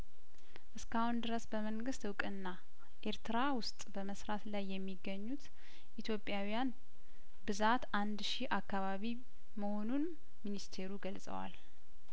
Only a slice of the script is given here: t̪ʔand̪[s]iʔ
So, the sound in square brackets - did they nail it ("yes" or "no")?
no